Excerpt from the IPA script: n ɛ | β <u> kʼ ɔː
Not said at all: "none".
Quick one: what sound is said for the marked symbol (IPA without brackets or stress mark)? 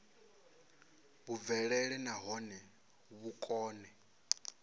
u